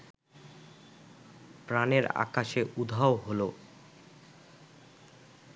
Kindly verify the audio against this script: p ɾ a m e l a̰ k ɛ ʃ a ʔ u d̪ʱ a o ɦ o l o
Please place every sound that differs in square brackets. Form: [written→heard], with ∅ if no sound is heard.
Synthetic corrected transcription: p ɾ a [m→n] e [l→ɾ] a̰ k [ɛ→a] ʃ [a→e] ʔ u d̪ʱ a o ɦ o l o